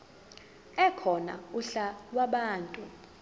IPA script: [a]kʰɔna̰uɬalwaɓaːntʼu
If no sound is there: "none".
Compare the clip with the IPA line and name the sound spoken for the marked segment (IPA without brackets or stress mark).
ɛ